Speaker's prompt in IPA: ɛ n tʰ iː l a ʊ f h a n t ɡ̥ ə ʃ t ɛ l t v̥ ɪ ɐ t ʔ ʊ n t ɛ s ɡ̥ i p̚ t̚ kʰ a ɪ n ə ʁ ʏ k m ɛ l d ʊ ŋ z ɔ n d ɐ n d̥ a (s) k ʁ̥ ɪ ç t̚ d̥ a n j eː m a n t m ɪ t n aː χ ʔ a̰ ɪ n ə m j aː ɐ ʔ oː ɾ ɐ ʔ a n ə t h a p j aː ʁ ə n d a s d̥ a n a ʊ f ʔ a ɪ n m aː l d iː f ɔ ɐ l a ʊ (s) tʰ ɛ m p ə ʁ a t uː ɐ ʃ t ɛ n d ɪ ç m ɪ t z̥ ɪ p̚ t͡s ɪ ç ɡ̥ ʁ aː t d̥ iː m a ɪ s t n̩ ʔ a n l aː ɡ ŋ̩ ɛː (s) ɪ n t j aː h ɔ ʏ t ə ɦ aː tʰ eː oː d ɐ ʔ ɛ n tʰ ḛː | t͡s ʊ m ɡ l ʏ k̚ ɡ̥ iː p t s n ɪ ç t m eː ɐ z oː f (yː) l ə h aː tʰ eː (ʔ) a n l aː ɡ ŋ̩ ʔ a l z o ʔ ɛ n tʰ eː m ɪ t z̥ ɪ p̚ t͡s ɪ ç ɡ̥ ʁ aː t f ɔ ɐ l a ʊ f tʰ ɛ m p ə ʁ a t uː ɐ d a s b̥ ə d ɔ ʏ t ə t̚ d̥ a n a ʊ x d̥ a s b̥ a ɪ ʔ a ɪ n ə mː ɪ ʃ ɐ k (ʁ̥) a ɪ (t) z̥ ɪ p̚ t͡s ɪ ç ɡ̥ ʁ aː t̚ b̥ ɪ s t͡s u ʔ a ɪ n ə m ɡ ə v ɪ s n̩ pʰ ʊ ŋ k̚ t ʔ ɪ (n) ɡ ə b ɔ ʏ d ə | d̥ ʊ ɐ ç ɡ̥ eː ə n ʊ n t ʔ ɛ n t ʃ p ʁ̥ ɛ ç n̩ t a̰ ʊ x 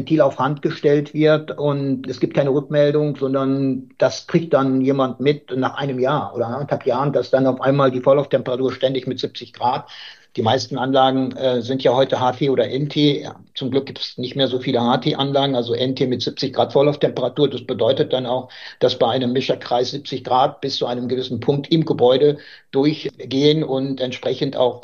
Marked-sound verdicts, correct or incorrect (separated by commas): correct, incorrect, incorrect, incorrect, correct, correct, incorrect, incorrect